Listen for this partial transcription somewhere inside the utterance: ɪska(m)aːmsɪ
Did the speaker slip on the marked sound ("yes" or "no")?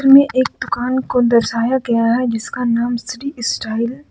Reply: yes